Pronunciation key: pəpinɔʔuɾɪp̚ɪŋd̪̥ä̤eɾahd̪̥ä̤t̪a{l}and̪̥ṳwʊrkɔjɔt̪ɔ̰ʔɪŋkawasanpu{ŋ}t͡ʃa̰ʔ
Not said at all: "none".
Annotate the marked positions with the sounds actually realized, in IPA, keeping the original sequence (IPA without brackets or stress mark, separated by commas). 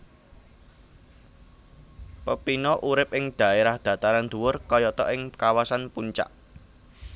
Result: ɾ, ɲ